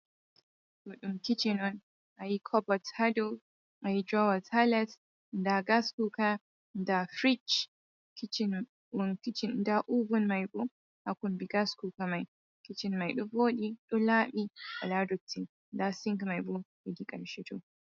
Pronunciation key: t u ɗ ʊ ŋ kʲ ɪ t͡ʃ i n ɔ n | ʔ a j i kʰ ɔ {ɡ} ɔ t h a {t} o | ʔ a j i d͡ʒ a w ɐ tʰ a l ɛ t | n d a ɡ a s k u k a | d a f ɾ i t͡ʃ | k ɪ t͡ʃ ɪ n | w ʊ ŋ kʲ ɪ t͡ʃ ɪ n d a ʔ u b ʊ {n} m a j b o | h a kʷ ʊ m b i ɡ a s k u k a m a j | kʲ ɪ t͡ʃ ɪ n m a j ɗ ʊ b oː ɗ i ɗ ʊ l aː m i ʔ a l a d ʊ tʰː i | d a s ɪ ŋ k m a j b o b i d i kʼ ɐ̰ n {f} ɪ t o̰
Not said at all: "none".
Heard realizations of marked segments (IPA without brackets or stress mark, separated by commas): b, d, n, ʃ